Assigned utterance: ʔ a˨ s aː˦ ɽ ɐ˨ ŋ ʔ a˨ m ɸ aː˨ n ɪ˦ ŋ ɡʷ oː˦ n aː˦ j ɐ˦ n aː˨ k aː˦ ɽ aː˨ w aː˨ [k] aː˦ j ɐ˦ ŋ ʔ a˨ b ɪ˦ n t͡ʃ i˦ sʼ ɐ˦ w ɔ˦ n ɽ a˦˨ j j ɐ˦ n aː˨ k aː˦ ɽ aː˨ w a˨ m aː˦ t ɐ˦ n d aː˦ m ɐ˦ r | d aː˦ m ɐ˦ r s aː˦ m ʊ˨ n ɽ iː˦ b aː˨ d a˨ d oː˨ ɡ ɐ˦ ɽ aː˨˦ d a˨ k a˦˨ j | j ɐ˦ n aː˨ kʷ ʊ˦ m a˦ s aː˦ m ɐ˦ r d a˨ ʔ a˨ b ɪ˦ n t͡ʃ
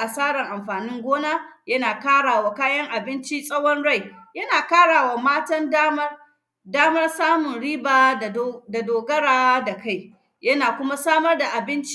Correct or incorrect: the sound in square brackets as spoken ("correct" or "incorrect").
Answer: correct